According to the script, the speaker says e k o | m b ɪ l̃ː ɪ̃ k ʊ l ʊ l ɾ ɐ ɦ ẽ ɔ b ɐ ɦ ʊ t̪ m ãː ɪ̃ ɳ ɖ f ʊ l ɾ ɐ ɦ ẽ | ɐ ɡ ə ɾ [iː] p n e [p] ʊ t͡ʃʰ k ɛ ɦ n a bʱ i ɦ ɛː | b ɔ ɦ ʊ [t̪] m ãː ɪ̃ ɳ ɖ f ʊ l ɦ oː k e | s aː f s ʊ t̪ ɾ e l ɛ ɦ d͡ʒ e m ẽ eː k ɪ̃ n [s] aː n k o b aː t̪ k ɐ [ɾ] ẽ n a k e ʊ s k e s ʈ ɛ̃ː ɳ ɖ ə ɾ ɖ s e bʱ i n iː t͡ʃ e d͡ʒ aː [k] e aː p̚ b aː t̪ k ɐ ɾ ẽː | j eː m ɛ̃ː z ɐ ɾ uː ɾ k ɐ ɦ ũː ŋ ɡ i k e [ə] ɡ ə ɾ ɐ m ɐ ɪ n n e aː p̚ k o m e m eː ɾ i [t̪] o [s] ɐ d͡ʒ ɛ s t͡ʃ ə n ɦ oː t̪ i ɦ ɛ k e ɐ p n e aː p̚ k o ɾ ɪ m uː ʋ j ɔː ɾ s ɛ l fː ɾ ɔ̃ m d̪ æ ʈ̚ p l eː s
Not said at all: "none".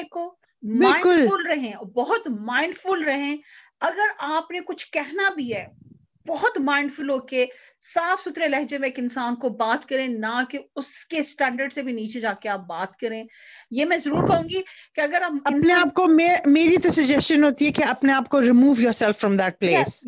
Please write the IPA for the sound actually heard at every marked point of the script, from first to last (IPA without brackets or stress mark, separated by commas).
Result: aː, k, t̪, s, ɾ, k, ɐ, t̪, s